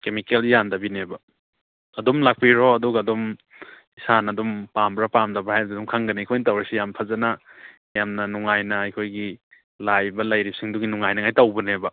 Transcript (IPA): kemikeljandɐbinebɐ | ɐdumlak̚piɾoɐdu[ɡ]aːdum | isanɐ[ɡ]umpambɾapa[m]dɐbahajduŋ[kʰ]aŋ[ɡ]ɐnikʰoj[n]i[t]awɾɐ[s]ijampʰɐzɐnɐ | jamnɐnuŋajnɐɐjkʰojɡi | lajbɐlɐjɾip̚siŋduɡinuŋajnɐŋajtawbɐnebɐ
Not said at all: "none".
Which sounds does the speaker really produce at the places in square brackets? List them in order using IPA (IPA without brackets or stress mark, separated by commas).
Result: ɡ, d, m, kʰ, ɡ, n, t, s